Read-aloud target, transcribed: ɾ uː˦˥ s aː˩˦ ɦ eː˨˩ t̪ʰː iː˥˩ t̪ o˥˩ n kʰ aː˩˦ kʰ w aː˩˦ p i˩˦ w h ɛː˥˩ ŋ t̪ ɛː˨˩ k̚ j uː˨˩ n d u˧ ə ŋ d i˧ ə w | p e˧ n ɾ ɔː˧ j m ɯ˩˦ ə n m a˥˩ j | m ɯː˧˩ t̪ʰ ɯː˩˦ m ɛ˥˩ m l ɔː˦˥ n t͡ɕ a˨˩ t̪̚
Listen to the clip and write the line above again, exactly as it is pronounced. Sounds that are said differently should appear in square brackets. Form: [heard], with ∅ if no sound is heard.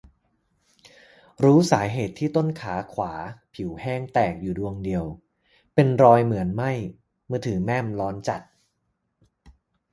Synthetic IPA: ɾ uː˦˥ s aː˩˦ ɦ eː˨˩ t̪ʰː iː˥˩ t̪ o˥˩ n kʰ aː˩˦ kʰ w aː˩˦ [pʰ] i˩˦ w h ɛː˥˩ ŋ t̪ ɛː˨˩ k̚ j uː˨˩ [∅] d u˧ ə ŋ d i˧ ə w | p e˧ n ɾ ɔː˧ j m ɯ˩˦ ə n m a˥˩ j | m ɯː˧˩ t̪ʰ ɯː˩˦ m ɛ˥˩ m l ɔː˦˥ n t͡ɕ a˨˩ t̪̚